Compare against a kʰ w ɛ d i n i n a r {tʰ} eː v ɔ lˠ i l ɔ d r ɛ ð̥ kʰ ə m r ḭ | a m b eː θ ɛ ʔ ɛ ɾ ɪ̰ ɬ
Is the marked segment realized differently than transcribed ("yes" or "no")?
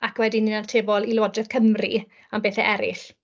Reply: no